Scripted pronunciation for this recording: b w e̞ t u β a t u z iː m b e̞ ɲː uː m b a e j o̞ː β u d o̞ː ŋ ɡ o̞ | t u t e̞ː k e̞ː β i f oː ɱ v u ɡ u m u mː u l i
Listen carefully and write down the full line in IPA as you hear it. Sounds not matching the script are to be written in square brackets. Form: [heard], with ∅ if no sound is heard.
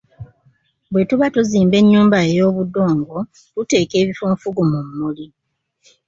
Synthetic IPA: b w e̞ t u β a t u z iː m b e̞ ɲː uː m b a e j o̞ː β u d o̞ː ŋ ɡ o̞ | t u t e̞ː k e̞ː β i f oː ɱ [f] u ɡ u m u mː u l i